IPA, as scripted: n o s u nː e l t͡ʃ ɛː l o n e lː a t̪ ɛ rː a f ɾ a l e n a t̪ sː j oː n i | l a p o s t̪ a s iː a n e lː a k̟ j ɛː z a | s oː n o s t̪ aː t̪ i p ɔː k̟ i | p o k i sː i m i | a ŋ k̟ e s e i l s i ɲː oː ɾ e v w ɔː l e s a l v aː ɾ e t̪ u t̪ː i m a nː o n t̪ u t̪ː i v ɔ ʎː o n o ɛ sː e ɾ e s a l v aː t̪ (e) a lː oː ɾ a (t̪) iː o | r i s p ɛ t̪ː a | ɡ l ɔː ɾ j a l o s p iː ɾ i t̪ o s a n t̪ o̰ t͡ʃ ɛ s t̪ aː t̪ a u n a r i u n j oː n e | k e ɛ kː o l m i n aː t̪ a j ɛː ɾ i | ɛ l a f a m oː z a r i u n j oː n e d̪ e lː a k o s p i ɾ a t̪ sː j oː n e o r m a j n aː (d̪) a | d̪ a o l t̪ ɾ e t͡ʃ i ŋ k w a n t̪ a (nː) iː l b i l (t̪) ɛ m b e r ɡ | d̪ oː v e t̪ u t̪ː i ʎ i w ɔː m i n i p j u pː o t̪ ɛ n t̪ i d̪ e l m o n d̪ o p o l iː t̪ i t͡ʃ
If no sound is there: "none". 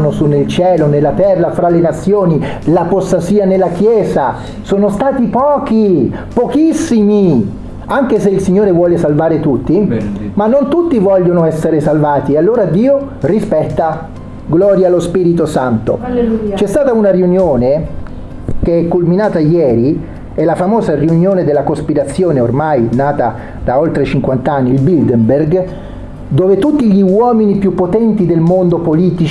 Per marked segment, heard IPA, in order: i, d̪, t̪, nː, d̪

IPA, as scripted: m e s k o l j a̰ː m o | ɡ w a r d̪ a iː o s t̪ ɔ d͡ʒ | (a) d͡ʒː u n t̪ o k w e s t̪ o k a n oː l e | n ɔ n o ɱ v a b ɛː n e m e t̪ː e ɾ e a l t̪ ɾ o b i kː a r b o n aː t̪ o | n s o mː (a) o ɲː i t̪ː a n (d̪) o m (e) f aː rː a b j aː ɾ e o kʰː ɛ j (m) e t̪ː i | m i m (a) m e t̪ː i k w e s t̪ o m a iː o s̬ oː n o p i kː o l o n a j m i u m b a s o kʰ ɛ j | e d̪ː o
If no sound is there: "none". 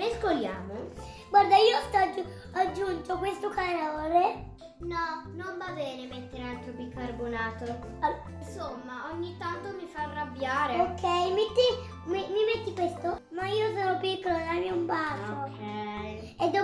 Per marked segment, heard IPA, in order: a, a, t̪, i, m, i

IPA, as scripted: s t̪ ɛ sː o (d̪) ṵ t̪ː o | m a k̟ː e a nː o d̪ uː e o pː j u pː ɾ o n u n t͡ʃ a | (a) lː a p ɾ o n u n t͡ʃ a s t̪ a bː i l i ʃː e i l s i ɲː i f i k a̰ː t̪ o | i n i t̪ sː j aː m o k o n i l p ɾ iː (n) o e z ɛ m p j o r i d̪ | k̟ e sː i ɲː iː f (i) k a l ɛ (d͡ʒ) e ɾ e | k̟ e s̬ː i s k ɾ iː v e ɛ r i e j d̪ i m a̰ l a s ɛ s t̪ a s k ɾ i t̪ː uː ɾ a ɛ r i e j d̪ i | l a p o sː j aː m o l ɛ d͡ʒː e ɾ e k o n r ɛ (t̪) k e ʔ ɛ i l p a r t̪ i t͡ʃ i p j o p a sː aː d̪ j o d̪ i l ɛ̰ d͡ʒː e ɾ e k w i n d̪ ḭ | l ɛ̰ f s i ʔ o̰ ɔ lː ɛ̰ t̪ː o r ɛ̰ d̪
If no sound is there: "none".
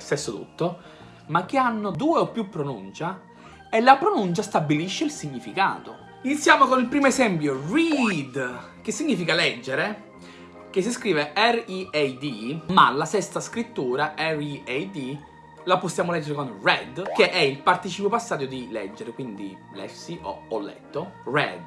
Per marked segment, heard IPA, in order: t̪, e, m, i, d͡ʒː, d̪

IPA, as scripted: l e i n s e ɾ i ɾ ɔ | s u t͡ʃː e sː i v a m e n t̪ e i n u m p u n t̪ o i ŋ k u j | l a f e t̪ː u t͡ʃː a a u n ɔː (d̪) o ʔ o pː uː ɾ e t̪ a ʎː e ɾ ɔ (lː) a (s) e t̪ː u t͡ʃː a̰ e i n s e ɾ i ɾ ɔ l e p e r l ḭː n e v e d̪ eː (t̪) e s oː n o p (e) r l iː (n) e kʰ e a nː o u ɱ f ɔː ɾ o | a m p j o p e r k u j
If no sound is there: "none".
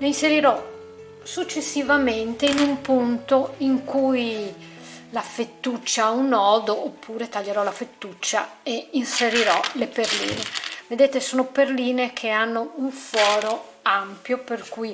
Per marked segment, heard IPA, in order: d̪, l, f, t̪, e, n

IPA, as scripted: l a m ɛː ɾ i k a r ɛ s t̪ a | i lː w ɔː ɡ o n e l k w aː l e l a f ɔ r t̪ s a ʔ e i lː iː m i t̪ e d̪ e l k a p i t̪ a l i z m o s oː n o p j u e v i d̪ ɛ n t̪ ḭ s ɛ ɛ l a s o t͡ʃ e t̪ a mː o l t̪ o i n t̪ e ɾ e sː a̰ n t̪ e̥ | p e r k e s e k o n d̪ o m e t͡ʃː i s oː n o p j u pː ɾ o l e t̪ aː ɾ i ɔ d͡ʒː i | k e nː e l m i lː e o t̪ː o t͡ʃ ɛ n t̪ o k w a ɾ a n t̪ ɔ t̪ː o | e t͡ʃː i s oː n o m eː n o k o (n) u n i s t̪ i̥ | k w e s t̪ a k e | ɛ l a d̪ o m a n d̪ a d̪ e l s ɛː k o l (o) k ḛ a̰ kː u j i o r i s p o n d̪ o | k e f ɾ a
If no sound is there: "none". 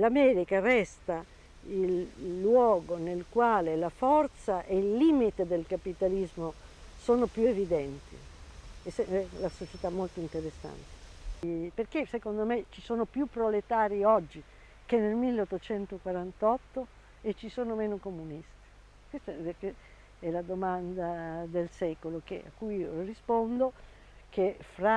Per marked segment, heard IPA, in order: m, o

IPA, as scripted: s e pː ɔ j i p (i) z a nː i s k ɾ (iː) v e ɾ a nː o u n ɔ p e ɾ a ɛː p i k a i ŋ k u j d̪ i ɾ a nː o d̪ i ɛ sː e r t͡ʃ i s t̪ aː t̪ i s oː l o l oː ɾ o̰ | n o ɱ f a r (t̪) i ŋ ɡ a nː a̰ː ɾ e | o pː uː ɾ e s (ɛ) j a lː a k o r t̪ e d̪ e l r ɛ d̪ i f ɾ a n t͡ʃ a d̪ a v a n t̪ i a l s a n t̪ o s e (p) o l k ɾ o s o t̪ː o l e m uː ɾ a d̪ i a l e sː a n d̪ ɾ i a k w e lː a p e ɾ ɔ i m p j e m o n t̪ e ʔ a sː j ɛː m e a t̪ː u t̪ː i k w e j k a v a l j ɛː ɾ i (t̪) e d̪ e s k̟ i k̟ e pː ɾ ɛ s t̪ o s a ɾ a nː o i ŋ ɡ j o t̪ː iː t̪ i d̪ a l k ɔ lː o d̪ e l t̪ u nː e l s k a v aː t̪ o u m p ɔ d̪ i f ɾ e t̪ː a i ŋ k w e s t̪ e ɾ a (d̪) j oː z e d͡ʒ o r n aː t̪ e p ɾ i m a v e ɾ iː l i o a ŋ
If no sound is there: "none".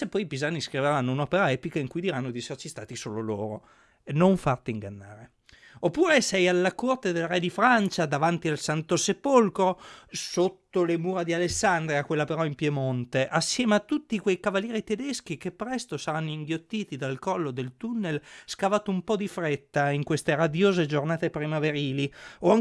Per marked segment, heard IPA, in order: i, i, t̪, ɛ, p, t̪, d̪

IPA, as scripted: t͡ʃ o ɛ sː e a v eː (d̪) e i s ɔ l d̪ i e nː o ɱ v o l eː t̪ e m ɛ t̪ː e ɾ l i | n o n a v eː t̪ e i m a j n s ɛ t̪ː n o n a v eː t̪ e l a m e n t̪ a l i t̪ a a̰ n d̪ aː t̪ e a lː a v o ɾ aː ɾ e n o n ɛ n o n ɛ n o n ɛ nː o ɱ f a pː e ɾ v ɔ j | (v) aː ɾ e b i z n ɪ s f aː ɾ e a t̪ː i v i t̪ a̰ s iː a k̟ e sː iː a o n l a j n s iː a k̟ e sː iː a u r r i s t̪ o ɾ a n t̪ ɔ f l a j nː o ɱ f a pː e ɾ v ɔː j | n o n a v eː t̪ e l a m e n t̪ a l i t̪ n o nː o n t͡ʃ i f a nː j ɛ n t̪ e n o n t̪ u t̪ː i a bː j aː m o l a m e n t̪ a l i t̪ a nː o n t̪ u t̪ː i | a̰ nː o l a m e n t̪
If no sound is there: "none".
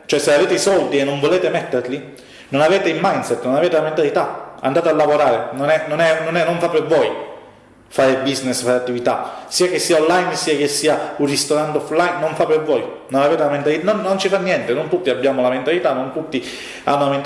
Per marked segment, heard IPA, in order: t̪, f

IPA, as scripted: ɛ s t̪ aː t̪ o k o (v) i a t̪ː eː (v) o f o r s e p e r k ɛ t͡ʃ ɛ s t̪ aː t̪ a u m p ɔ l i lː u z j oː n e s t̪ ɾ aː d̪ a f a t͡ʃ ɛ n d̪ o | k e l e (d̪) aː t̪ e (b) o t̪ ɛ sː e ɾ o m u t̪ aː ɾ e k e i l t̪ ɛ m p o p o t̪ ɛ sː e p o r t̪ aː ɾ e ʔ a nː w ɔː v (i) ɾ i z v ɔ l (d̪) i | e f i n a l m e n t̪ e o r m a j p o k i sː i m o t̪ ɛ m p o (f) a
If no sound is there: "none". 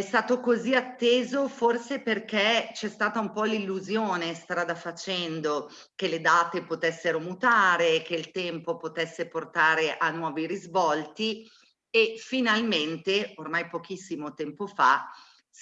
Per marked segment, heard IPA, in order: z, z, d̪, p, i, t̪, f

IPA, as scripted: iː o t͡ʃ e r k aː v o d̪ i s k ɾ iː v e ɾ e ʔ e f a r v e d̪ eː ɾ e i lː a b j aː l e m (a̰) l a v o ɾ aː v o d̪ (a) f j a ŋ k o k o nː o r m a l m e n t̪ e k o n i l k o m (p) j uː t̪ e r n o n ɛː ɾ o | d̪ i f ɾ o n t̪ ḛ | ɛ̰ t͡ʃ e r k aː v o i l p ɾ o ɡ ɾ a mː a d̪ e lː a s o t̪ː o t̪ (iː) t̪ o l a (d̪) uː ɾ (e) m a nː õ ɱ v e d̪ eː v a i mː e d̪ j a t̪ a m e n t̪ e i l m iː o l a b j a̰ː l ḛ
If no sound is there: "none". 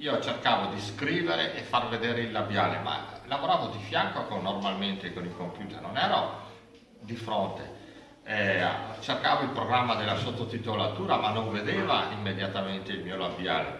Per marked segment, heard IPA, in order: a̰, i, p, i, t̪, a

